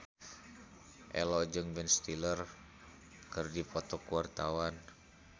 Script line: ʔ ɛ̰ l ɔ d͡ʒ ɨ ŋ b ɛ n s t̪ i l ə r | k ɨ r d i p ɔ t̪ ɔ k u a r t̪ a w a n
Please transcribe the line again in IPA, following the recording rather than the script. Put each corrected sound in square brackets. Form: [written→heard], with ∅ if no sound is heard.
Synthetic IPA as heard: ʔ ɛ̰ l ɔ d͡ʒ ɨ ŋ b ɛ n s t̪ i l ə r | k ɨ r d i p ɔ t̪ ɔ k u a r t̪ a w a n